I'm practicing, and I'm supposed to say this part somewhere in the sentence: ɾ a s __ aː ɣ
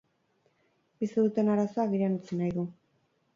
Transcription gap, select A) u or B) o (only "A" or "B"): B